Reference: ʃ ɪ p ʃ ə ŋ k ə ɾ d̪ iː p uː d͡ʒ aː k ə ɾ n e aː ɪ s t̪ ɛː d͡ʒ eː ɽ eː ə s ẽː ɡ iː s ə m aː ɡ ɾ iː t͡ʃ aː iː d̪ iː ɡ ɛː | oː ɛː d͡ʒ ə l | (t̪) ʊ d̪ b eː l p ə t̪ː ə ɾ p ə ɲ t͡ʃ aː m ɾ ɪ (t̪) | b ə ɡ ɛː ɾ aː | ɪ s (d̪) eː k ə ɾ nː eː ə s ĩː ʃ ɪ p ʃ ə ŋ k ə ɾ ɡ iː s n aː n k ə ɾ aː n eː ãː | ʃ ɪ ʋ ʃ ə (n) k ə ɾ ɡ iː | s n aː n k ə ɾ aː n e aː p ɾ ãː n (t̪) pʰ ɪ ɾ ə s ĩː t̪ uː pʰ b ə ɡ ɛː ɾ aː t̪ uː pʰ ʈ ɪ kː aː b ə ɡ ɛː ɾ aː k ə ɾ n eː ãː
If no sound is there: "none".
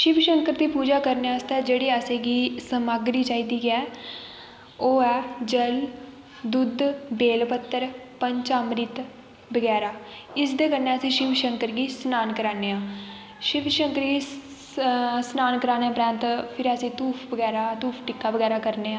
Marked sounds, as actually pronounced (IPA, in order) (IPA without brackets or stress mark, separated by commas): d̪, t̪, d̪, ŋ, t̪